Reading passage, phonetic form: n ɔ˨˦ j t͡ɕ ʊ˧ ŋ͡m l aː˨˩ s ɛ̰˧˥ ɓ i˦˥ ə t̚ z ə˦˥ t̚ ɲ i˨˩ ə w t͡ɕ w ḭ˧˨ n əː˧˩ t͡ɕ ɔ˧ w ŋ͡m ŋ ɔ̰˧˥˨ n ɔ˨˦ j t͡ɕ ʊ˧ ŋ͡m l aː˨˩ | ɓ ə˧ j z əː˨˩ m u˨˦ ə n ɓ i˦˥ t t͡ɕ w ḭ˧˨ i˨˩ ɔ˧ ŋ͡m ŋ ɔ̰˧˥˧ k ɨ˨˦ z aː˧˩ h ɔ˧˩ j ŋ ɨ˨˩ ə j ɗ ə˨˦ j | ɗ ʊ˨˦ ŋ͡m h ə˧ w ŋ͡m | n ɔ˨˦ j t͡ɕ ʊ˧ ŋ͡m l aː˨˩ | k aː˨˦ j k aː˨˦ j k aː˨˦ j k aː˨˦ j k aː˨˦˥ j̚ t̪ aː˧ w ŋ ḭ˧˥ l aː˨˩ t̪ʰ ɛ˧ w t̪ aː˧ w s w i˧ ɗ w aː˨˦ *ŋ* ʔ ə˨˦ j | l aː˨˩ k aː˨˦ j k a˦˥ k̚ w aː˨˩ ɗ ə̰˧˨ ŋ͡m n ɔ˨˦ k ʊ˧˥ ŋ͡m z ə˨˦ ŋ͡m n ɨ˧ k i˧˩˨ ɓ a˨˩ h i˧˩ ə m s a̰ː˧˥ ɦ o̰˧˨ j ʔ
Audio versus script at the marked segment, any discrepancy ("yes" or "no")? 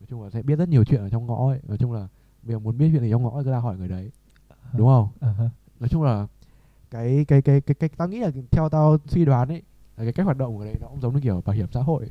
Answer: yes